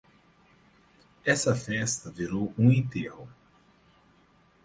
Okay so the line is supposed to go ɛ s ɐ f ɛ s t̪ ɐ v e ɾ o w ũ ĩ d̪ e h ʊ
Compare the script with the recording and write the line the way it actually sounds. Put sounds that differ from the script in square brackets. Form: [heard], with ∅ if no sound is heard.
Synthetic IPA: ɛ s ɐ f ɛ s t̪ ɐ v [i] ɾ o w ũ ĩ [t̪] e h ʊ